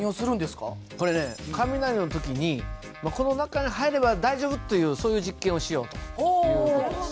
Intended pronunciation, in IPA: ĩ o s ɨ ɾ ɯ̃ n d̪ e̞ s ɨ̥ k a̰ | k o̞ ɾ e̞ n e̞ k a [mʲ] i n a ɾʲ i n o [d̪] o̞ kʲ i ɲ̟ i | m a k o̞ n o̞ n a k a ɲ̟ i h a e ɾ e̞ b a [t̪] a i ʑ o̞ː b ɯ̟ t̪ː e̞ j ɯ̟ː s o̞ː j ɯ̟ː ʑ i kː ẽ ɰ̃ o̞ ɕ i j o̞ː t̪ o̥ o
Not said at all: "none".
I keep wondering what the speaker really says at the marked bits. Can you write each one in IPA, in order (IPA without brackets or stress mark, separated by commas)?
mʲ, t̪, d̪